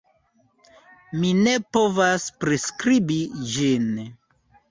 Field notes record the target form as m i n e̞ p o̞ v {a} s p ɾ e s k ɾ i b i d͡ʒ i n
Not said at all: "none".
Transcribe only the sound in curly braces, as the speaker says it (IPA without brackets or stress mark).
a